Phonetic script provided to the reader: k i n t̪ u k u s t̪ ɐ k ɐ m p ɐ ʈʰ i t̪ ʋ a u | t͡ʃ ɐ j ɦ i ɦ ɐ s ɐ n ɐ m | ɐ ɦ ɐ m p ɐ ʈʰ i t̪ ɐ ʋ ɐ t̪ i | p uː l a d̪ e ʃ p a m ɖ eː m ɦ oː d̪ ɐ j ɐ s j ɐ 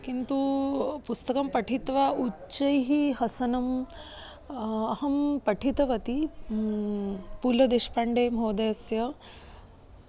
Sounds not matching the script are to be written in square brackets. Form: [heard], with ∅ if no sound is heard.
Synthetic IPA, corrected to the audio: k i n t̪ u [p] u s t̪ ɐ k ɐ m p ɐ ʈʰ i t̪ ʋ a u | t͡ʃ ɐ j ɦ i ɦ ɐ s ɐ n ɐ m | ɐ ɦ ɐ m p ɐ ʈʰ i t̪ ɐ ʋ ɐ t̪ i | p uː l [ɐ] d̪ e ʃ p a [ɳ] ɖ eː m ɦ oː d̪ ɐ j ɐ s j ɐ